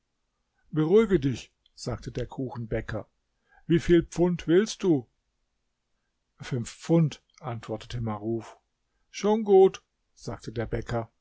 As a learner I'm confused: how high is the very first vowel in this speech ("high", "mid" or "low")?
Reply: mid